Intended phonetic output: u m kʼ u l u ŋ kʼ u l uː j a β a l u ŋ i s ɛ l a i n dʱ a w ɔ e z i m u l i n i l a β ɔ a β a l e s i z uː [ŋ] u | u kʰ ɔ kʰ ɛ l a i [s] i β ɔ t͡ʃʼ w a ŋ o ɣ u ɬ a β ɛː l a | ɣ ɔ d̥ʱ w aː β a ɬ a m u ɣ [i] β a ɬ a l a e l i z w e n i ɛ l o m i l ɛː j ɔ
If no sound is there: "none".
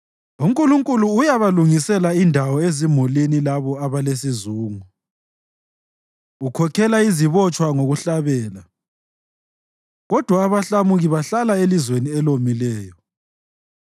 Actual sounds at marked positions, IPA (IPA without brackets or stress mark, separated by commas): ŋ, z, i